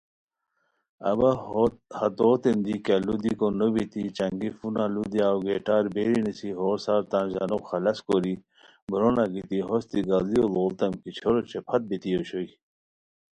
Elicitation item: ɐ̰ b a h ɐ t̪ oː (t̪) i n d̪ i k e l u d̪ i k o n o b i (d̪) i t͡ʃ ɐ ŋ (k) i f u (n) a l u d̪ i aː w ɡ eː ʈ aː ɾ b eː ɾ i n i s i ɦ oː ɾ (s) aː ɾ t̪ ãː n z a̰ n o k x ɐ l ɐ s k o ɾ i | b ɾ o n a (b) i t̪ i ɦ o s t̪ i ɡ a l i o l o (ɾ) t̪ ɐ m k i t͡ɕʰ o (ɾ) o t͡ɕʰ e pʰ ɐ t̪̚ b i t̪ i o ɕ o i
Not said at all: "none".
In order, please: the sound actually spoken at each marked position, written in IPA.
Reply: t̪, t̪, ɡ, n, s, ɡ, l, ɾ

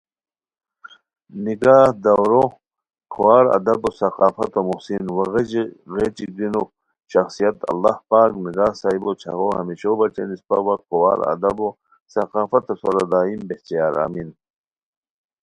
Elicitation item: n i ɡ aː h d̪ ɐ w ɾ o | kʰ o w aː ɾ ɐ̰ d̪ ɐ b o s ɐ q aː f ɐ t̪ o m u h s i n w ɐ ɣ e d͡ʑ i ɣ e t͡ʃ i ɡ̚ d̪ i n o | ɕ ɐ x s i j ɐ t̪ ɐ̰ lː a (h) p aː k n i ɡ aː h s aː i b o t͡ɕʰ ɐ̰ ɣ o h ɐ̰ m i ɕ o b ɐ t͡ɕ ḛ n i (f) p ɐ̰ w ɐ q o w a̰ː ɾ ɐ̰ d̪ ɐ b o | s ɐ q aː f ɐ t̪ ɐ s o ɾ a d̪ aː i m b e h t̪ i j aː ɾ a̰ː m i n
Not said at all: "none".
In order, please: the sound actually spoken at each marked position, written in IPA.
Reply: h, s

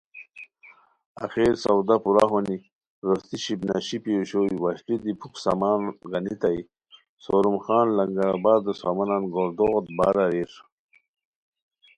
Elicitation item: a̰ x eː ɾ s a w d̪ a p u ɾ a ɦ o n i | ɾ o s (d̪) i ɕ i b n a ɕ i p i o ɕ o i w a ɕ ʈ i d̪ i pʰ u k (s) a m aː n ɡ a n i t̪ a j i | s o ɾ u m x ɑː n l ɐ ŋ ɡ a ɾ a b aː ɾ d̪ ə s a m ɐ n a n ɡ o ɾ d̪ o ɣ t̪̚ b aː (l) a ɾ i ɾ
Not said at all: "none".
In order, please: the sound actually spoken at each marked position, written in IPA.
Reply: t̪, s, ɾ

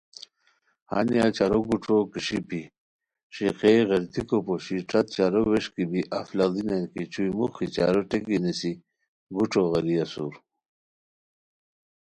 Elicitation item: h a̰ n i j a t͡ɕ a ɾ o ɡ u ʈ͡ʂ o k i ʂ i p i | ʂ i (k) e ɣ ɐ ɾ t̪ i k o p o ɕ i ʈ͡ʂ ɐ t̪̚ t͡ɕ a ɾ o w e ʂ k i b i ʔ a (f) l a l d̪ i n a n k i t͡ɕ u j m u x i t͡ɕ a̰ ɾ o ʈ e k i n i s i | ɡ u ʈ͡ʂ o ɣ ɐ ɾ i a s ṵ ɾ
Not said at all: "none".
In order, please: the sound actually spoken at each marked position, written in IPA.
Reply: q, f

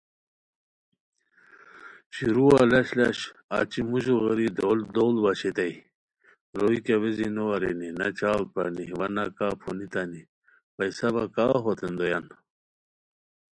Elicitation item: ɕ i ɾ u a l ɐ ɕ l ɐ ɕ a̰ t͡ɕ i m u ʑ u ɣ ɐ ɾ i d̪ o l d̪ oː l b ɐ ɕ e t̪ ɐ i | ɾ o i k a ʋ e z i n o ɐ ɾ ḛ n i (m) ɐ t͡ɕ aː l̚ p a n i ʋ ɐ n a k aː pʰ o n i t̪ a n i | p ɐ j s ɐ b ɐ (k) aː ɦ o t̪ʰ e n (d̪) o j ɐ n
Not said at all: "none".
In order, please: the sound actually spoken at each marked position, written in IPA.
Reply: n, k, d̪

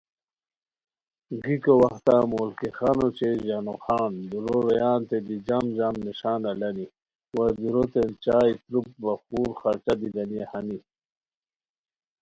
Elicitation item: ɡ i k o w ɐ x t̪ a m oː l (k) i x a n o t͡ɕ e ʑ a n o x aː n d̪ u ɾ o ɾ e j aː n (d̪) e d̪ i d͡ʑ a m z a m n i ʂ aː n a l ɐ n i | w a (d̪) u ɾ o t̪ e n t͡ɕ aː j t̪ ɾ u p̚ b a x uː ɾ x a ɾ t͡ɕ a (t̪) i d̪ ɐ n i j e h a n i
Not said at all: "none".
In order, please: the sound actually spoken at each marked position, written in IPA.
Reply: k, t̪, d̪, d̪

